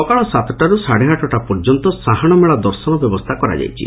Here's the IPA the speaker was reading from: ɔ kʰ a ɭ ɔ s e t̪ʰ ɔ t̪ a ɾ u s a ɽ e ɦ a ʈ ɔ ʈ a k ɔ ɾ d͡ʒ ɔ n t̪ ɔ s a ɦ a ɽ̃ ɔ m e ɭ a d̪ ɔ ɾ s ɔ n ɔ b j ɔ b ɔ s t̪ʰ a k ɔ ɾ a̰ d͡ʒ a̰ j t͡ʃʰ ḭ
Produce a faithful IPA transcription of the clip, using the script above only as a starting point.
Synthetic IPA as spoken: ɔ k a ɭ ɔ s a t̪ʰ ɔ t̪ a ɾ u s a ɽ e ɦ a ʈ ɔ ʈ a p ɔ ɾ d͡ʒ ɔ n t̪ ɔ s a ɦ a ɽ̃ ɔ m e ɭ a d̪ ɔ ɾ s ɔ n ɔ b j ɔ b ɔ s t̪ʰ a k ɔ ɾ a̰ d͡ʒ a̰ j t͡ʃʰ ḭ